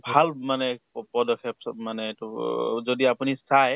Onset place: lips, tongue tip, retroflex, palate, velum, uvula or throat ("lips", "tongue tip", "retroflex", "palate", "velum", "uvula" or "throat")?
lips